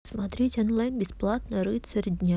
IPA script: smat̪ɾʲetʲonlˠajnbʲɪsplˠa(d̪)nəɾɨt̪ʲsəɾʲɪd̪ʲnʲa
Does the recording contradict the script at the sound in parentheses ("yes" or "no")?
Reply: yes